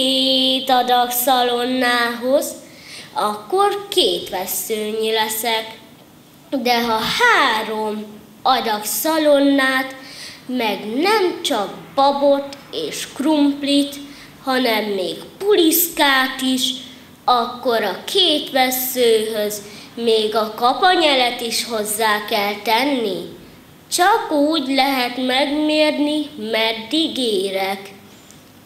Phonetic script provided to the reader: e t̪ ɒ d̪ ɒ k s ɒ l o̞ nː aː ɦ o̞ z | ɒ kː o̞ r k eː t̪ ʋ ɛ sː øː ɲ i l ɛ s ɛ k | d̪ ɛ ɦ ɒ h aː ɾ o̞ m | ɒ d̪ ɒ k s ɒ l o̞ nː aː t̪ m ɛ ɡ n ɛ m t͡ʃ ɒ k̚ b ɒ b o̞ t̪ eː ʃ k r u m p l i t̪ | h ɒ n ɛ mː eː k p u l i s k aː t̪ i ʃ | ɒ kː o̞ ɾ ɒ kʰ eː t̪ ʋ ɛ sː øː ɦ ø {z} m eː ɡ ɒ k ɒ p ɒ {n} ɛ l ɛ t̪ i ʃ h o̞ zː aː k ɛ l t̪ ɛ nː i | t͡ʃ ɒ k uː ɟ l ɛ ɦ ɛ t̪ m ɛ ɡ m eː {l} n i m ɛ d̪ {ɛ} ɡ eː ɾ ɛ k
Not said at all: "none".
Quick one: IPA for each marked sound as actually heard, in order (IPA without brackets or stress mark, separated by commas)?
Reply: z, ɲ, r, i